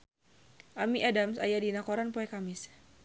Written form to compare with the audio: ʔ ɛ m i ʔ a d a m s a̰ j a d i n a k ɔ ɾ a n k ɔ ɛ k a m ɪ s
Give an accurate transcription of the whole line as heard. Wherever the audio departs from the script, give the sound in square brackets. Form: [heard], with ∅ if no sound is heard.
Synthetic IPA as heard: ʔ [a] m i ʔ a d a m s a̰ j a d i n a k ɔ ɾ a n [p] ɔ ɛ k a m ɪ s